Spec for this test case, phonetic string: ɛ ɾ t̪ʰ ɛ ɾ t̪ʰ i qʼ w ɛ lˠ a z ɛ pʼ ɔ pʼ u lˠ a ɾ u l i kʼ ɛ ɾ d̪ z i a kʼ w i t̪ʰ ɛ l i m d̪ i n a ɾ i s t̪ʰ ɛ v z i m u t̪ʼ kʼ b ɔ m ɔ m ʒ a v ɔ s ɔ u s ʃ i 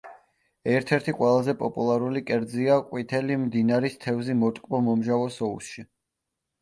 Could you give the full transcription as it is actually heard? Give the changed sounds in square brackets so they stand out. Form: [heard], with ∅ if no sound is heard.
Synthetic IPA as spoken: ɛ ɾ t̪ʰ ɛ ɾ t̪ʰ i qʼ w ɛ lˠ a z ɛ pʼ ɔ pʼ u lˠ a ɾ u l i kʼ ɛ ɾ d̪ z i a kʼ w i t̪ʰ ɛ l i m d̪ i n a ɾ i s t̪ʰ ɛ v z i m [ɔ] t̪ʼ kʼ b ɔ m ɔ m ʒ a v ɔ s ɔ u s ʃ i